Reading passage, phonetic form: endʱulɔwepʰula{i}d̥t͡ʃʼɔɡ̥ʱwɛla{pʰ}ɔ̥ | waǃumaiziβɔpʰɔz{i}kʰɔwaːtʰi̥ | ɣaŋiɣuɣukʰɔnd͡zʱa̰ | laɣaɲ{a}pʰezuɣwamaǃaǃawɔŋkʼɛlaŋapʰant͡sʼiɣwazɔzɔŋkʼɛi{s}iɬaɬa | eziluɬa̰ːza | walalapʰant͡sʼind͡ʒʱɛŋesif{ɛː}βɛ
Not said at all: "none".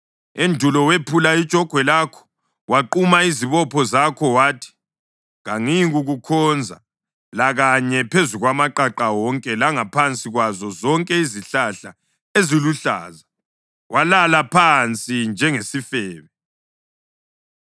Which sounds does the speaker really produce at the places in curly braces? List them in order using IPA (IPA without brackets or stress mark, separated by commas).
i, kʰ, a, ɛ, z, ɛː